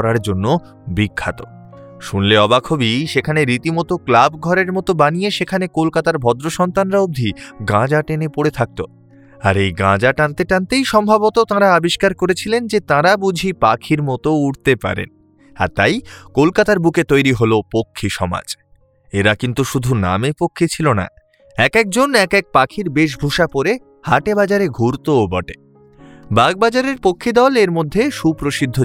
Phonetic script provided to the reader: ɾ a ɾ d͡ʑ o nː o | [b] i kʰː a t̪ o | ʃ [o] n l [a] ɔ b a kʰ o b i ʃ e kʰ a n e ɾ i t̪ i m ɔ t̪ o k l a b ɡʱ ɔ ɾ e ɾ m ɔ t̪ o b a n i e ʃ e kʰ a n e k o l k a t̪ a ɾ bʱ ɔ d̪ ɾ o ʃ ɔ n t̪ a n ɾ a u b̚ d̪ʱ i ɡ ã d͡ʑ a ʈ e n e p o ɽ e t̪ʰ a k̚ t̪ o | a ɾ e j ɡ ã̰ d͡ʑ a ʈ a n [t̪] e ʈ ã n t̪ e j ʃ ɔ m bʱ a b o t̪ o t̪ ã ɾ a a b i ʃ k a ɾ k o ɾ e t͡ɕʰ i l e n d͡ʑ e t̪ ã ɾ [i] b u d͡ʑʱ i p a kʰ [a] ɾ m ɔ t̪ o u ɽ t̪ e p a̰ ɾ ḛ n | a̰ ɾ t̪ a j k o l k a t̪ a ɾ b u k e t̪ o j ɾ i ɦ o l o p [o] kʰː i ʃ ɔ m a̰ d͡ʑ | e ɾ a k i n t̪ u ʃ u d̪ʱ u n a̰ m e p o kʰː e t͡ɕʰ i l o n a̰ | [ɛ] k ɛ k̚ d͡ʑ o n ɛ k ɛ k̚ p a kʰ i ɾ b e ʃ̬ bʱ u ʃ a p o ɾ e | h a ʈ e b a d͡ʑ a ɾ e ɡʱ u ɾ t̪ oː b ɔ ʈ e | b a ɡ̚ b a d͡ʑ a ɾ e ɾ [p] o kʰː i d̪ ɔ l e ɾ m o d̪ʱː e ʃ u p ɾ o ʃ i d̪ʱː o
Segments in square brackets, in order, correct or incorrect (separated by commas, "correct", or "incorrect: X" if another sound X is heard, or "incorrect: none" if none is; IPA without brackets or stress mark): correct, incorrect: u, incorrect: e, correct, incorrect: a, incorrect: i, correct, correct, correct